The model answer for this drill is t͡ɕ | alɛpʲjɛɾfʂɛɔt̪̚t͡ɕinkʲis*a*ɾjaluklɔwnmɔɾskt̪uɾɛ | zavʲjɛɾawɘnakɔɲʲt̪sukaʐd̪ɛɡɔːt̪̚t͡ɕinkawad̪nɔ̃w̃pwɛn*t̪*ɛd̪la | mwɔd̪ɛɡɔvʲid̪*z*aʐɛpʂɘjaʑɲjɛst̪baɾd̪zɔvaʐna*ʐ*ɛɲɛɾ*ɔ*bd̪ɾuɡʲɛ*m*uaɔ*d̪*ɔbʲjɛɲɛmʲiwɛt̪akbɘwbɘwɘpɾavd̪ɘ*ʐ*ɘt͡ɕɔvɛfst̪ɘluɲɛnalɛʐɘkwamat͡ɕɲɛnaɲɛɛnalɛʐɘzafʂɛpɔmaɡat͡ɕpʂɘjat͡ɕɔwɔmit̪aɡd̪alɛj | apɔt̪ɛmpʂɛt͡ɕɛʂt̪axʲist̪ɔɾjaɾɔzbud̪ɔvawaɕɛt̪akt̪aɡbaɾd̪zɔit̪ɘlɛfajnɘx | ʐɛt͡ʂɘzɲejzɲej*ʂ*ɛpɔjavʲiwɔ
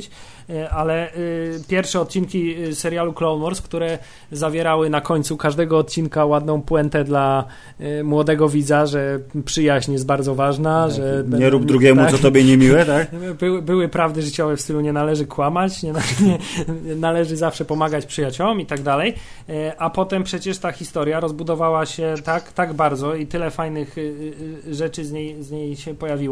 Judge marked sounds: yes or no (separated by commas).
no, yes, yes, yes, no, yes, no, yes, no